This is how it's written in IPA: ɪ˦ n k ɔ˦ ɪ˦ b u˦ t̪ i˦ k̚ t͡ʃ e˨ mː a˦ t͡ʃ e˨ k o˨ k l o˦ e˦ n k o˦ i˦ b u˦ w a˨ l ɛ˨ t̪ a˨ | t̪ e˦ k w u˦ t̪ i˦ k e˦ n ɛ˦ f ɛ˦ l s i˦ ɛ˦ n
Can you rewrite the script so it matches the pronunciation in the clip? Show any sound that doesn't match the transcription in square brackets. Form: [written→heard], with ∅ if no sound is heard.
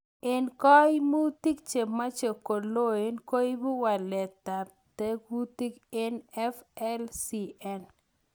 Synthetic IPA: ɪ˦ n k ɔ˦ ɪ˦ [b→m] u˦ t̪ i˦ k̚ t͡ʃ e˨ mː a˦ t͡ʃ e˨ k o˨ [k→∅] l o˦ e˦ n k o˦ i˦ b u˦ w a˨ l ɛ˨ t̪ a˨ | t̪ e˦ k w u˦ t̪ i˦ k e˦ n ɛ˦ f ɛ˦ l s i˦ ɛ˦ n